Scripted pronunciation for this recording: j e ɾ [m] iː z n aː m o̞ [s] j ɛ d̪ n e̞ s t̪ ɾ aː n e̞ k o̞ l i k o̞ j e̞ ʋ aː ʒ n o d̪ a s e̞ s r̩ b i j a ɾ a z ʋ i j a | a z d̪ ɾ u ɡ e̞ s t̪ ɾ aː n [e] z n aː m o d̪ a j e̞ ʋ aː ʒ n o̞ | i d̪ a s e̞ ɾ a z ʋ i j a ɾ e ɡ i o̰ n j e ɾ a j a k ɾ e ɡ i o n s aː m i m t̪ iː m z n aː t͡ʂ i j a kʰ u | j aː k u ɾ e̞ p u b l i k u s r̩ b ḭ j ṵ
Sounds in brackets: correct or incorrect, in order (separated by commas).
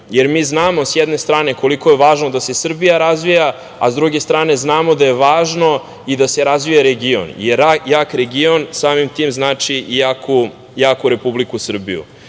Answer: correct, correct, correct